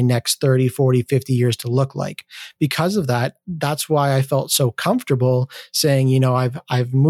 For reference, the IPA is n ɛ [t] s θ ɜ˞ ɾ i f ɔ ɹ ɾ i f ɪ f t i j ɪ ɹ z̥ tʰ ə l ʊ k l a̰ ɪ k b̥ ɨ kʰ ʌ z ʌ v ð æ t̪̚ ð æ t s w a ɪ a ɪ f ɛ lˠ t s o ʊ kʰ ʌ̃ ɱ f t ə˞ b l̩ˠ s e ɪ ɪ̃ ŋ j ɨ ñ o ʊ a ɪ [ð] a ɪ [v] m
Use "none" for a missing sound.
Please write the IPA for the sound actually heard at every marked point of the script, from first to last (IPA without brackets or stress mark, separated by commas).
k, v, v